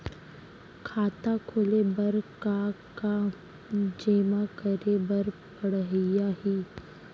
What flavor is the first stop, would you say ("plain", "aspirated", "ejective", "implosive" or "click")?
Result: aspirated